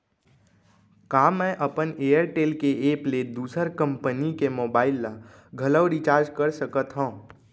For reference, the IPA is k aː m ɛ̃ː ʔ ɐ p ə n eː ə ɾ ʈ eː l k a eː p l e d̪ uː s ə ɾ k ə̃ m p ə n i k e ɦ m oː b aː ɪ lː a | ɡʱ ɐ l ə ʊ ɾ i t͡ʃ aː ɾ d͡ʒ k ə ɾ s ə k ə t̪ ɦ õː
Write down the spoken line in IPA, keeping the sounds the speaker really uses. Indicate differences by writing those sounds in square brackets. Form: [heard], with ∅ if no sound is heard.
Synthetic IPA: k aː m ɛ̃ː ʔ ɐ p ə n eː ə ɾ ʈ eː l k [e] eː p l e d̪ uː s ə ɾ k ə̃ m p ə n i k e [∅] m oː b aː ɪ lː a | ɡʱ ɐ l ə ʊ ɾ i t͡ʃ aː ɾ d͡ʒ k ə ɾ s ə k ə t̪ ɦ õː

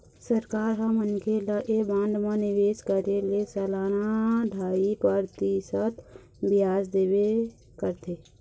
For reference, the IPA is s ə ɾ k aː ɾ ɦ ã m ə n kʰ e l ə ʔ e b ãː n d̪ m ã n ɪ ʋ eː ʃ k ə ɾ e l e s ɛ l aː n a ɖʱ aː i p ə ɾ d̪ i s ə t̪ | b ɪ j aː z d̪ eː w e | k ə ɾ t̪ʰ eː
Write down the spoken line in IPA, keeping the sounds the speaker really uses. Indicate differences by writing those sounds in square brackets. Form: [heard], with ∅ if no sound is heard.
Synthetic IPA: s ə ɾ k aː ɾ ɦ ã m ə n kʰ e l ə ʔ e b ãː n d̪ m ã n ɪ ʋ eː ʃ k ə ɾ e l e s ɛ l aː n a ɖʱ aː i p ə ɾ [t̪] i s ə t̪ | b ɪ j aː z d̪ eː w e | k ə ɾ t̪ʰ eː

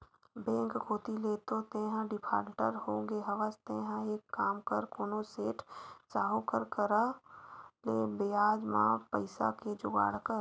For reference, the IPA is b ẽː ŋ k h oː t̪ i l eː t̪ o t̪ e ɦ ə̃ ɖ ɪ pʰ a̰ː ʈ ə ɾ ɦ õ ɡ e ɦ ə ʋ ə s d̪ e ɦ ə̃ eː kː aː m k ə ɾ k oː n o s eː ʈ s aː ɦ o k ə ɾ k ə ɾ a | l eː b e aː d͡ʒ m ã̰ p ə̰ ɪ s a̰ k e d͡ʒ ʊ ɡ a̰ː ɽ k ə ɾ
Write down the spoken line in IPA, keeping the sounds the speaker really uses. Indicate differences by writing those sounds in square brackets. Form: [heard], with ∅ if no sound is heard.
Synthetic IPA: b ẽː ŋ k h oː t̪ i l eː t̪ o t̪ e ɦ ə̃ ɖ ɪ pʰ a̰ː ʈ ə ɾ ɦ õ ɡ e ɦ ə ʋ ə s [t̪] e ɦ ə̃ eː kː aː m k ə ɾ k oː n o s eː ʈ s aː ɦ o k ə ɾ k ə ɾ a | l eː b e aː d͡ʒ m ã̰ p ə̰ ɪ s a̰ k e d͡ʒ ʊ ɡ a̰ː ɽ k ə ɾ

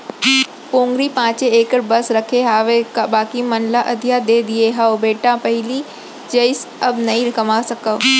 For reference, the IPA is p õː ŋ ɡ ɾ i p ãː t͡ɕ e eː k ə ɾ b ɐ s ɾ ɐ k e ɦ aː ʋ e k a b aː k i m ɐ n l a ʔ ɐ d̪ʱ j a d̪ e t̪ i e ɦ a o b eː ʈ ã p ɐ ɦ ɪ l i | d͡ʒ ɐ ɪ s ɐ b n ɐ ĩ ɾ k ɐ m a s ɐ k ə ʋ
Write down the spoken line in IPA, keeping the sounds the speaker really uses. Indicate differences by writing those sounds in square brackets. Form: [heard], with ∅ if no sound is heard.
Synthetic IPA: p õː ŋ ɡ ɾ i p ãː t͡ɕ e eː k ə ɾ b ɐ s ɾ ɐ [kʰ] e ɦ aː ʋ e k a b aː k i m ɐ n l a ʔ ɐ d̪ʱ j a d̪ e [d̪] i e ɦ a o b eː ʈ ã p ɐ ɦ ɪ l i | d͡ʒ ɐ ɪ s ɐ b n ɐ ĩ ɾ k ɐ m a s ɐ k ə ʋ

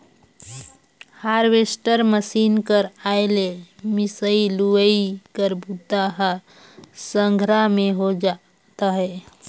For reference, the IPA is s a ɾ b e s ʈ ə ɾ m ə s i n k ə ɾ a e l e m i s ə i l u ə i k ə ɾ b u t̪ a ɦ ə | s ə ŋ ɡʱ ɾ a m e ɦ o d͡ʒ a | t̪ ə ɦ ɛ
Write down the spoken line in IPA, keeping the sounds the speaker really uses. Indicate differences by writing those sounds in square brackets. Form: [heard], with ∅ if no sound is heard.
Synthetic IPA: [h] a ɾ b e s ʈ ə ɾ m ə s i n k ə ɾ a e l e m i s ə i l u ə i k ə ɾ b u t̪ a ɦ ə | s ə ŋ ɡʱ ɾ a m e ɦ o d͡ʒ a | t̪ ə ɦ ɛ

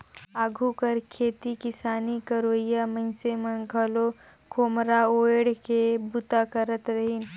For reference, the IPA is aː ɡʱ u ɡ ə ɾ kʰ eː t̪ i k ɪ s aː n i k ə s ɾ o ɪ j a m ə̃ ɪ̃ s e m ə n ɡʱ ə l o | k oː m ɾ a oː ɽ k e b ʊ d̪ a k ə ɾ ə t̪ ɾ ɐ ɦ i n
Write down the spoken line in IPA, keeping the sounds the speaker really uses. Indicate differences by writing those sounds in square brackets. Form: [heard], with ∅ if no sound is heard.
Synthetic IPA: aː ɡʱ u [k] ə ɾ kʰ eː t̪ i k ɪ s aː n i k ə [∅] ɾ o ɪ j a m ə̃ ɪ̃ s e m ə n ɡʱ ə l o | k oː m ɾ a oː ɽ k e b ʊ [t̪] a k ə ɾ ə t̪ ɾ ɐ ɦ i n

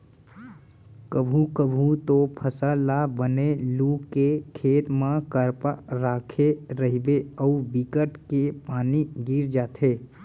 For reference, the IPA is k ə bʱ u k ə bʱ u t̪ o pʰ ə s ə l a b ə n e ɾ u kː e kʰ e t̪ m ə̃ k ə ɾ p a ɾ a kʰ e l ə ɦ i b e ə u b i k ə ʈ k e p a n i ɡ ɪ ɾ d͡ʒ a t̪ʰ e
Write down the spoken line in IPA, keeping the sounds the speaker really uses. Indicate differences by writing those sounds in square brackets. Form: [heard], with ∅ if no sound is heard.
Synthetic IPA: k ə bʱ u k ə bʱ u t̪ o pʰ ə s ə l a b ə n e [l] u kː e kʰ e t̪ m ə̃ k ə ɾ p a ɾ a kʰ e [ɾ] ə ɦ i b e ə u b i k ə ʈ k e p a n i ɡ [i] ɾ d͡ʒ a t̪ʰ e

